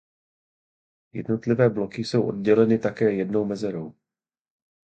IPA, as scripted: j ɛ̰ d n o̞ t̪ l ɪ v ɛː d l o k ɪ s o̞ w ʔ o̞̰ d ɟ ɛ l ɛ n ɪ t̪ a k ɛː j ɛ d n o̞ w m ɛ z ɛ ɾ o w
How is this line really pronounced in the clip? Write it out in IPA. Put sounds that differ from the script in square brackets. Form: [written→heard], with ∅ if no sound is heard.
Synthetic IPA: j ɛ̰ d n o̞ t̪ l ɪ v ɛː [d→b] l o k ɪ s o̞ w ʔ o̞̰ d ɟ ɛ l ɛ n ɪ t̪ a k ɛː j ɛ d n o̞ w m ɛ z ɛ ɾ o w